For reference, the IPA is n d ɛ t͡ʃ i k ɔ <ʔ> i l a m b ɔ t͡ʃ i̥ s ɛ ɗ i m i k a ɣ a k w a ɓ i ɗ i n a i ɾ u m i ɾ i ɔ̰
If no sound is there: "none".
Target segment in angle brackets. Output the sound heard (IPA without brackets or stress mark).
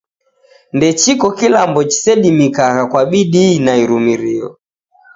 k